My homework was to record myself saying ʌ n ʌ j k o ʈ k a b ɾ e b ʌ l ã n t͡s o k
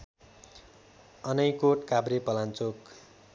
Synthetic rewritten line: ʌ n ʌ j k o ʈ k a b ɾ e p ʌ l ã n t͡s o k